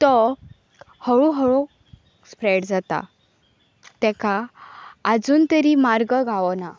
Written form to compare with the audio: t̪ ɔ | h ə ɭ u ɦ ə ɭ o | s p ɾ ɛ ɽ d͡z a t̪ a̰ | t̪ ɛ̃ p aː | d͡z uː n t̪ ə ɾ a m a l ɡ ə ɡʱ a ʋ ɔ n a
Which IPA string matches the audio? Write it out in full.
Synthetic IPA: t̪ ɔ | h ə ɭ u ɦ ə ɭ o | s p ɾ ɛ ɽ d͡z a t̪ a̰ | t̪ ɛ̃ k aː | d͡z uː n t̪ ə ɾ i m a ɾ ɡ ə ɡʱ a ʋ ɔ n a